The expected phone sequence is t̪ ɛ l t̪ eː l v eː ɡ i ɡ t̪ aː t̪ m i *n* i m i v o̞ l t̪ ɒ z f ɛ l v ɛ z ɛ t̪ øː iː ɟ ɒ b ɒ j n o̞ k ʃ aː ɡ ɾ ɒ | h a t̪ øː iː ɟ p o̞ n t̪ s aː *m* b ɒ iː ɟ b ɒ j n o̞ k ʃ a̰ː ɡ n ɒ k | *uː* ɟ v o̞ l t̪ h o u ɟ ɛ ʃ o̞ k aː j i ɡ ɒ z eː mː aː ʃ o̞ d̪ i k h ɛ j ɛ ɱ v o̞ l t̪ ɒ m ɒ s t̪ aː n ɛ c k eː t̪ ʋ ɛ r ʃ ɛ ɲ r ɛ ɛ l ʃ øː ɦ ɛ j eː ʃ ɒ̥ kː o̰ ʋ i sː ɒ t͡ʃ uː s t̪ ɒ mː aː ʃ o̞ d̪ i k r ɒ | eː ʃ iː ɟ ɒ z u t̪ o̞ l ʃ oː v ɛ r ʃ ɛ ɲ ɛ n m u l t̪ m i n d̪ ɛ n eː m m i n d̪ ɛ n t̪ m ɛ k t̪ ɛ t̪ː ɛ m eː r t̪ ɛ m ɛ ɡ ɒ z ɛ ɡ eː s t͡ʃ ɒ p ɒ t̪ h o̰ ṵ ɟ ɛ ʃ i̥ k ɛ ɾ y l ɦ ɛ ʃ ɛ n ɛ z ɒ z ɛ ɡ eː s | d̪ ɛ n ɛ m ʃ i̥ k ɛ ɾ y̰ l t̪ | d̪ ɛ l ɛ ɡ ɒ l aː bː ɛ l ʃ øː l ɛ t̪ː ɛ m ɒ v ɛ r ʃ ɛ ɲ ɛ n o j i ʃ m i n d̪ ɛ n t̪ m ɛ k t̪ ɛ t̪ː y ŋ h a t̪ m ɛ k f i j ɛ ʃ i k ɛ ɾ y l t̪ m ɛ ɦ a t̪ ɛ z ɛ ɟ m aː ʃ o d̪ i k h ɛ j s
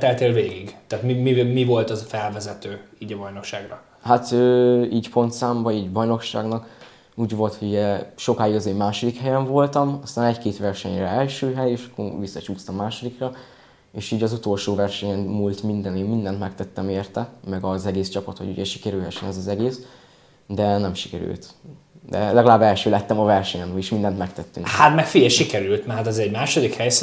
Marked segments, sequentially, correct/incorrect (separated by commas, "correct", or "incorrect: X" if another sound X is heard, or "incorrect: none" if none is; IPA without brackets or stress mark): incorrect: m, correct, correct